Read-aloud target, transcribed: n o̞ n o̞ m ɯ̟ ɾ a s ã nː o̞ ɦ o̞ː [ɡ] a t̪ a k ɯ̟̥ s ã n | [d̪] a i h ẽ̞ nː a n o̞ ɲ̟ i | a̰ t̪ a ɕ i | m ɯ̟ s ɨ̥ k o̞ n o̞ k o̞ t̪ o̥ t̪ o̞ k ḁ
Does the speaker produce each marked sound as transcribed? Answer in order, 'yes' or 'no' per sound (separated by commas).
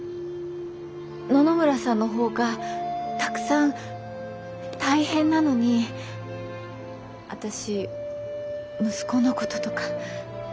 yes, no